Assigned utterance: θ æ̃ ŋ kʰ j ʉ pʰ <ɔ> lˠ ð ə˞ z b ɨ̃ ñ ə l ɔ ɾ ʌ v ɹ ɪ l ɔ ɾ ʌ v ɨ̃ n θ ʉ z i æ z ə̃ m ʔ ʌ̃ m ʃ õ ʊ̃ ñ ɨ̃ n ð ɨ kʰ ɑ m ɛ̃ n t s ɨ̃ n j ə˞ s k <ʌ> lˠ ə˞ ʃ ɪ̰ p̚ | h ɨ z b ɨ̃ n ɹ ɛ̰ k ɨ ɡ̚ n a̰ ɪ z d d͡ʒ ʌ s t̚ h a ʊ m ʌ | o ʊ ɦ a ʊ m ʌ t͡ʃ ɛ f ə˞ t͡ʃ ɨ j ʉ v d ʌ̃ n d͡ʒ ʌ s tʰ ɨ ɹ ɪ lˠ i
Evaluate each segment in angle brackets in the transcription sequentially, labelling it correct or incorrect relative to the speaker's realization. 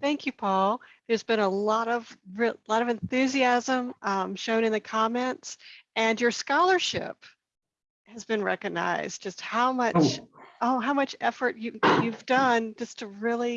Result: correct, incorrect: ɑ

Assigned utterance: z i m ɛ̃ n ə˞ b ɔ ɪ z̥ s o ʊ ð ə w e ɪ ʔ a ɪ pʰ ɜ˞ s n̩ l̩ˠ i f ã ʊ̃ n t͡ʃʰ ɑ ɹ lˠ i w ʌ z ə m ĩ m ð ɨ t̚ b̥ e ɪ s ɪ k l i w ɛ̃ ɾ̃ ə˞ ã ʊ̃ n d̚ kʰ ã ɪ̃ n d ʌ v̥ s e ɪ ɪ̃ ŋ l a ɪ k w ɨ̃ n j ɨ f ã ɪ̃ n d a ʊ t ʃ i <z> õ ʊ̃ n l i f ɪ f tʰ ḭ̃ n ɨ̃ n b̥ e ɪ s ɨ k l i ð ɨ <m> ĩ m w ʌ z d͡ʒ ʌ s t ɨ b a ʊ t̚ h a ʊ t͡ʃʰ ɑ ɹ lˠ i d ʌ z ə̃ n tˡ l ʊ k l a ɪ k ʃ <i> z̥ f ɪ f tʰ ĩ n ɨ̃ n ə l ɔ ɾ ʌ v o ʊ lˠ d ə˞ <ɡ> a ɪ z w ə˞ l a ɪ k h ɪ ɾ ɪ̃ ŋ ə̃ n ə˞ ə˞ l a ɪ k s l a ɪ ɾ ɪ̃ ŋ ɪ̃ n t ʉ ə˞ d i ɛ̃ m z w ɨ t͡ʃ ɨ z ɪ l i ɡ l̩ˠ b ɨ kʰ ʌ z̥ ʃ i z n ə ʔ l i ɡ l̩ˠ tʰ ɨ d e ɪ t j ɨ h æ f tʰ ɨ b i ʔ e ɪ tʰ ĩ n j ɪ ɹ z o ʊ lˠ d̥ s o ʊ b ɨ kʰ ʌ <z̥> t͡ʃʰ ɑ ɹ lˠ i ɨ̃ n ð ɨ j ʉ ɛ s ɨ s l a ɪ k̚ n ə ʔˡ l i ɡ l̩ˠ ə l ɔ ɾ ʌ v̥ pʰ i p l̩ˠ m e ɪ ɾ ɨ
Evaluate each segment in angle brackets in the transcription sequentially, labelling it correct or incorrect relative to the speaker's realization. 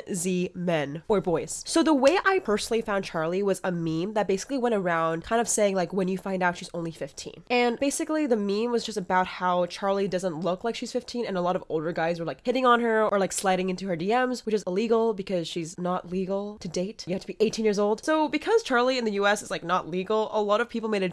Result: correct, correct, correct, correct, correct

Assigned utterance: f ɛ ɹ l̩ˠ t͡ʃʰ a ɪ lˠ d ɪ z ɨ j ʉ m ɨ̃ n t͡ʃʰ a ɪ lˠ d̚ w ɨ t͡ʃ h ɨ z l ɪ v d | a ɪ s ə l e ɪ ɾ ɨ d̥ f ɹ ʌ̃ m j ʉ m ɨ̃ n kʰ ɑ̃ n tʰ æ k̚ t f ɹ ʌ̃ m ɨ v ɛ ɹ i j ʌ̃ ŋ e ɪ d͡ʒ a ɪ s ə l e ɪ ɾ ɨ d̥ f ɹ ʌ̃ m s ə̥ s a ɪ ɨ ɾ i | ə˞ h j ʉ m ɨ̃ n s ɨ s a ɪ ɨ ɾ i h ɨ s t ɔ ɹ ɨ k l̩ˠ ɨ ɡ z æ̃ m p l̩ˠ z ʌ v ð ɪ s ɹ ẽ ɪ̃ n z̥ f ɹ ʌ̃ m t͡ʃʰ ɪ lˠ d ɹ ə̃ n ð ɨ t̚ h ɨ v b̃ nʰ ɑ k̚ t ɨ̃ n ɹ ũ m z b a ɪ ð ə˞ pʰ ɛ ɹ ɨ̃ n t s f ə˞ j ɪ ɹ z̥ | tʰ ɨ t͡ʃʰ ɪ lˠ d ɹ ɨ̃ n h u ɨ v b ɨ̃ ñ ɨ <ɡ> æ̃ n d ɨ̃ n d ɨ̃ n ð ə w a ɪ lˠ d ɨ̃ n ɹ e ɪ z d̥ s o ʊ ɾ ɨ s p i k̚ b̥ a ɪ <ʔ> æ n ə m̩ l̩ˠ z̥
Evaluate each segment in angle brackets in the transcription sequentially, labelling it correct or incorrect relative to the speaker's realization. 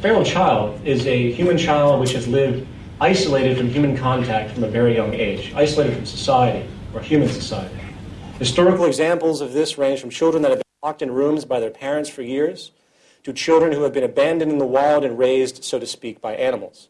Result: incorrect: b, correct

